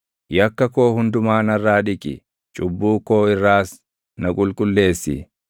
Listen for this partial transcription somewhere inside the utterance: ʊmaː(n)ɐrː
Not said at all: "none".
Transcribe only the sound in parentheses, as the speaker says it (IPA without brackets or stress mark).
n